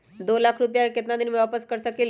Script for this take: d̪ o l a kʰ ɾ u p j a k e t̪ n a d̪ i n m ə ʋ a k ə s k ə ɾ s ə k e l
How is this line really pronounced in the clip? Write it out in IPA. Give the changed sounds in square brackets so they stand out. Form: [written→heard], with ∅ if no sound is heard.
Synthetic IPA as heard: d̪ o l a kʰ ɾ u p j a k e t̪ n a d̪ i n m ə ʋ a [k→p] ə s k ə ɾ s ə k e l